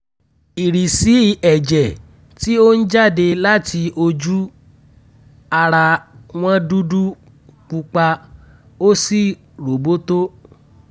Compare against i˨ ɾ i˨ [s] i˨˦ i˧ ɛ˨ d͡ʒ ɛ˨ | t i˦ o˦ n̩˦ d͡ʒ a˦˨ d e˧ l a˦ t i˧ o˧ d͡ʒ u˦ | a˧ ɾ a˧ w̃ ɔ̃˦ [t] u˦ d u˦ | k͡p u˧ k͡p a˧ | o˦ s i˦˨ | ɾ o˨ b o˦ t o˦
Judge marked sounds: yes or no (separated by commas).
yes, no